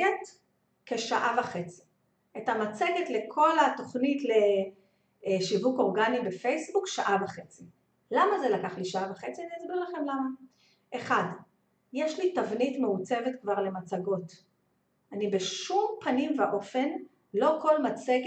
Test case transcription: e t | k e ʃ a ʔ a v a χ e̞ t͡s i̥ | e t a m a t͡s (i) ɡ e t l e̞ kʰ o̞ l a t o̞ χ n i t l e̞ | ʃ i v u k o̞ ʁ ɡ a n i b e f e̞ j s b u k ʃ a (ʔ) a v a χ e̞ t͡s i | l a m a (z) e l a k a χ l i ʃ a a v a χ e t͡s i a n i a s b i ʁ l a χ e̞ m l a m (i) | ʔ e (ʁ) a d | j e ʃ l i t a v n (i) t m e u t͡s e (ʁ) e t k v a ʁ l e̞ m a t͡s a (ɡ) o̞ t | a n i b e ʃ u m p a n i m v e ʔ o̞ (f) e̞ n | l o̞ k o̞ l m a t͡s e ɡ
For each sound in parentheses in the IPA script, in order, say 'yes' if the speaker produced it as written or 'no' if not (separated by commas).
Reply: no, yes, yes, no, no, yes, no, yes, yes